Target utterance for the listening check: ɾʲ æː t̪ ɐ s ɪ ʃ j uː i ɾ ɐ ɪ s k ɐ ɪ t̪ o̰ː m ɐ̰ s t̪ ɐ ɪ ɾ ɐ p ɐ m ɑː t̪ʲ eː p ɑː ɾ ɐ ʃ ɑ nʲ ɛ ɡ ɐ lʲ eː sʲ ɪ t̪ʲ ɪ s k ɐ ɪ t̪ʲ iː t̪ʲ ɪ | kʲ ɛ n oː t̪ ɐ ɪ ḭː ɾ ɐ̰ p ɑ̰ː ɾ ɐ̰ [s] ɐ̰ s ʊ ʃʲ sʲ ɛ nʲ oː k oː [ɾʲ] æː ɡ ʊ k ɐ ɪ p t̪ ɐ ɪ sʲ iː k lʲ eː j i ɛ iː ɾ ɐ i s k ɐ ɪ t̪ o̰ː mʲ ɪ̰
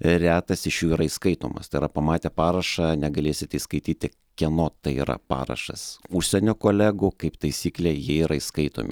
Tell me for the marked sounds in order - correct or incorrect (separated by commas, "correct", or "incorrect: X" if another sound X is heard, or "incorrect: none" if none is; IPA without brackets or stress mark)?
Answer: incorrect: ʃ, incorrect: lʲ